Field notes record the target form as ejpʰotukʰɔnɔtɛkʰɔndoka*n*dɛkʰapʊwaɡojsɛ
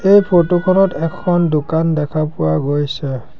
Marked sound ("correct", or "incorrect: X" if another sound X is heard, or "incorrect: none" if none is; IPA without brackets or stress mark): correct